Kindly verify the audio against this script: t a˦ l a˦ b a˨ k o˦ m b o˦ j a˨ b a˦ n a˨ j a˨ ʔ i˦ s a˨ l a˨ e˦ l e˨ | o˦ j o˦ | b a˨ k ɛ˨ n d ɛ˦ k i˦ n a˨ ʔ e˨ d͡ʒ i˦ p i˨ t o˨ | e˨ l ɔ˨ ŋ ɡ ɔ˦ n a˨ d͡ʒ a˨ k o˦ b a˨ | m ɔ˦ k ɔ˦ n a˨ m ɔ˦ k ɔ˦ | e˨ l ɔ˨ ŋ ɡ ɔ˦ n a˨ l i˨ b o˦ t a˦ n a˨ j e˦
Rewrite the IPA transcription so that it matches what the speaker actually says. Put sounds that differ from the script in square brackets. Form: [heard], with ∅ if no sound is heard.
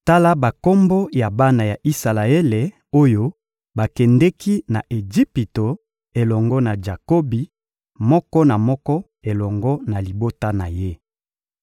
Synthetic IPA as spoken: t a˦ l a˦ b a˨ k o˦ m b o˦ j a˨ b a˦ n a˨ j a˨ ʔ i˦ s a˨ l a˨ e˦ l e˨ | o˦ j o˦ | b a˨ k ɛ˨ n d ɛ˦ k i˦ n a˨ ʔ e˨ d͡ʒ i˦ p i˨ t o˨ | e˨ l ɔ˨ ŋ ɡ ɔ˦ n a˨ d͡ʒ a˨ k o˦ b [i˨] | m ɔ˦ k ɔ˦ n a˨ m ɔ˦ k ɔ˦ | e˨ l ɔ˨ ŋ ɡ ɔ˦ n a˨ l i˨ b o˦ t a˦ n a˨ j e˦